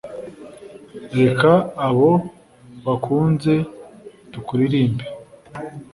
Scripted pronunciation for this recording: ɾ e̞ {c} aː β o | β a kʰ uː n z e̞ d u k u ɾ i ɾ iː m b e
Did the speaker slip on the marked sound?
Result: yes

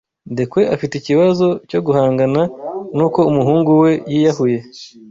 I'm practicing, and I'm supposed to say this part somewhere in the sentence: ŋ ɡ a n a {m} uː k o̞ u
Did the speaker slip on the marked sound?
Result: yes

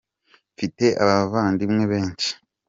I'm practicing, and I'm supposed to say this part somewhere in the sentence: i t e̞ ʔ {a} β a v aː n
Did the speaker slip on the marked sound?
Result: no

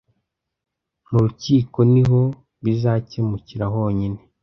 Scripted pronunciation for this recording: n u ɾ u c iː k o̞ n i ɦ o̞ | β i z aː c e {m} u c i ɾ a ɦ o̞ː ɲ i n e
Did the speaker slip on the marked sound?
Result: no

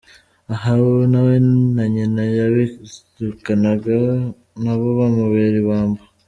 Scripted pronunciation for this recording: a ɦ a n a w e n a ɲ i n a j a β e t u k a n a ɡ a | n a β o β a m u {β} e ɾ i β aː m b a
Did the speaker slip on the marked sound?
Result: no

